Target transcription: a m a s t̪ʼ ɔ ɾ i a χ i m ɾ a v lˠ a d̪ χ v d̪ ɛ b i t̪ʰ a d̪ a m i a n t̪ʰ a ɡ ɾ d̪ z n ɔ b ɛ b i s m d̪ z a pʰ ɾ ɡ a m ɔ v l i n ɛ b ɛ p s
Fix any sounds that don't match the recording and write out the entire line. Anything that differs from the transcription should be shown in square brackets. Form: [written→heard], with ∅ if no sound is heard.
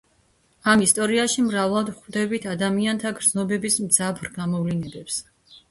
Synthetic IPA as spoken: a m [a→i] s t̪ʼ ɔ ɾ i a [χ→ʃ] i m ɾ a v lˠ a d̪ χ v d̪ ɛ b i t̪ʰ a d̪ a m i a n t̪ʰ a ɡ ɾ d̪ z n ɔ b ɛ b i s m d̪ z a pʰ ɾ ɡ a m ɔ v l i n ɛ b ɛ p s